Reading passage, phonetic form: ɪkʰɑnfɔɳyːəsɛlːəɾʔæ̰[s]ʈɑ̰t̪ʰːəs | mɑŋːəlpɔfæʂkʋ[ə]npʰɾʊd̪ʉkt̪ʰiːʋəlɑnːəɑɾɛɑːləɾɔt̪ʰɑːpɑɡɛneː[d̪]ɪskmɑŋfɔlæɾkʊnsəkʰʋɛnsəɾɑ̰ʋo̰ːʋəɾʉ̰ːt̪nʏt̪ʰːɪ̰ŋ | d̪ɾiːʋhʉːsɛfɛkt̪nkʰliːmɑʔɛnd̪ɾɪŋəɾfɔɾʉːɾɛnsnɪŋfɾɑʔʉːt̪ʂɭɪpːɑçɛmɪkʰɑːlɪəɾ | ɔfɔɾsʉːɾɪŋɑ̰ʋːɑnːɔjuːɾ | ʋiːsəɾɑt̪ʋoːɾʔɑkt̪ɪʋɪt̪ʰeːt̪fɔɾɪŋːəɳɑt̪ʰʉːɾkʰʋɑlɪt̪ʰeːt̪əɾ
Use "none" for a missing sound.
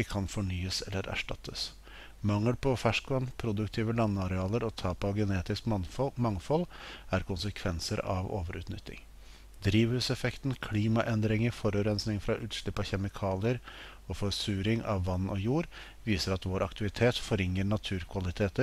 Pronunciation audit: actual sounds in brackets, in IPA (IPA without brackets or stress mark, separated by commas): ʂ, ɑ, t̪